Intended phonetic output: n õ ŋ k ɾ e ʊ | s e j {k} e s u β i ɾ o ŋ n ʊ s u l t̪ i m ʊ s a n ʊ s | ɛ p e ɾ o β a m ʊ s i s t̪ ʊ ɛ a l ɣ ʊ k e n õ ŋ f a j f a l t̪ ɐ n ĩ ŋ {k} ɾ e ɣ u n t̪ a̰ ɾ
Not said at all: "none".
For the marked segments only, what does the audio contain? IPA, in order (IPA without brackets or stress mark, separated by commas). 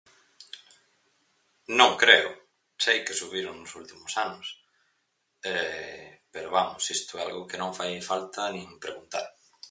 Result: k, p